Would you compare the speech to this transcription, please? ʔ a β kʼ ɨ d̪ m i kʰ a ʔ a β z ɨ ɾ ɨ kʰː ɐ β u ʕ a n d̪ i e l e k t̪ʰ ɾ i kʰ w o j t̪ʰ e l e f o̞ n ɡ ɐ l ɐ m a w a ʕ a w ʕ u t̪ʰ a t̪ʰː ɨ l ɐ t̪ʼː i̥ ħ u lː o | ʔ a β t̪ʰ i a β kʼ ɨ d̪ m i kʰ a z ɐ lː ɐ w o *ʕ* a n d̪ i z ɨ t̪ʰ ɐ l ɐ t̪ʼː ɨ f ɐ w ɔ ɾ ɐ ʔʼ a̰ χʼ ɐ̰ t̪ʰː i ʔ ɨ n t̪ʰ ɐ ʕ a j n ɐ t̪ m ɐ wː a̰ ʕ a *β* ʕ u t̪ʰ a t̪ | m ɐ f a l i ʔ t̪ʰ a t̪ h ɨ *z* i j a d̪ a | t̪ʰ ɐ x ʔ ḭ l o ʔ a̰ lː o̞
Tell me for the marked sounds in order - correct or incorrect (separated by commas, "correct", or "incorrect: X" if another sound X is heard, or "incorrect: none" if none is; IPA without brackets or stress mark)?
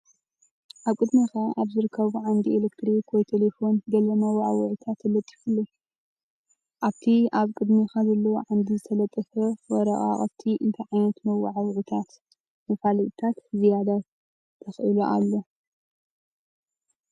correct, incorrect: w, correct